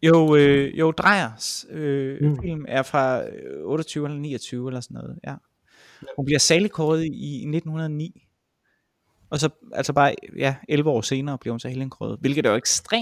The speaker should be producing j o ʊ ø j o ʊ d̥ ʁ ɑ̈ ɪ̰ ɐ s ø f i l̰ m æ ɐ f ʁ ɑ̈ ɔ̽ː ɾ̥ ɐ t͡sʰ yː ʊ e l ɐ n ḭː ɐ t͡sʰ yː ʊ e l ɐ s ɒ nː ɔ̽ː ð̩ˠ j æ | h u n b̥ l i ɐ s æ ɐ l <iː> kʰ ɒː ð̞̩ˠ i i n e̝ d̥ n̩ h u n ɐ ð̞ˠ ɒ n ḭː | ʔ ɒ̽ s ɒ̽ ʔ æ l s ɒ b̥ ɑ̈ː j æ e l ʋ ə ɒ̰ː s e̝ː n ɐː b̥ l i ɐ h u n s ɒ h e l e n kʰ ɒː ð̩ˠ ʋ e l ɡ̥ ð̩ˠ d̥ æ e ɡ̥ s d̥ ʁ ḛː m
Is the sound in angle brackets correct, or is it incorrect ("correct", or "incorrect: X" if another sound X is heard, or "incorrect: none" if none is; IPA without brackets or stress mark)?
incorrect: i